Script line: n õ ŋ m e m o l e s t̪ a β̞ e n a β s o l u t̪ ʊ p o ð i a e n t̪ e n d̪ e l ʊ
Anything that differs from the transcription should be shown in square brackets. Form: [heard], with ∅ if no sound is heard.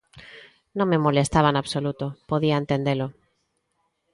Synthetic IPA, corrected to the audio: n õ ŋ m e m o l e s t̪ a β̞ [a] n a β s o l u t̪ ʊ p o ð i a e n t̪ e n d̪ e l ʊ